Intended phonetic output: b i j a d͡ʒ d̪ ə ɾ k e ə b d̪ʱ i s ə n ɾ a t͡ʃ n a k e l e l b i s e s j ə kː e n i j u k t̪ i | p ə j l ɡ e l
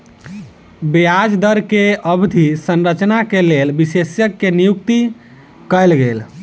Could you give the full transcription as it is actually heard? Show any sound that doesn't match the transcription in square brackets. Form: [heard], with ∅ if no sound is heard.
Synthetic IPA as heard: b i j a d͡ʒ d̪ ə ɾ k e ə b d̪ʱ i s ə n ɾ [ə] t͡ʃ n a k e l e l b i s e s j ə kː e n i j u k t̪ i | [k] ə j l ɡ e l